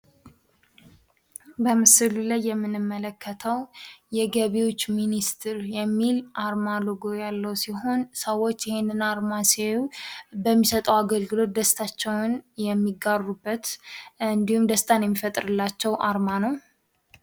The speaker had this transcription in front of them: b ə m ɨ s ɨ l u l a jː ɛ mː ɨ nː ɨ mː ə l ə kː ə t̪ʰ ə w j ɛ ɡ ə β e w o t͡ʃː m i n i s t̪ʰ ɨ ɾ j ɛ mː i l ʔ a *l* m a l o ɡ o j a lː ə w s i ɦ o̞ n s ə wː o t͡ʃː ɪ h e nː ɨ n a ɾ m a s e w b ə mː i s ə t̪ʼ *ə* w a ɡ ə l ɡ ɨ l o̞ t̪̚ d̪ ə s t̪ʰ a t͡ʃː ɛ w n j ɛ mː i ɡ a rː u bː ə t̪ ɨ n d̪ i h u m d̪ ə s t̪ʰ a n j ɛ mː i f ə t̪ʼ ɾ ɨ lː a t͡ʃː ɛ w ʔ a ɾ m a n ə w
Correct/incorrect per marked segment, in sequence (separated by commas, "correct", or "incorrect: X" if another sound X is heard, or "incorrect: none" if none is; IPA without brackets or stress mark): incorrect: ɾ, correct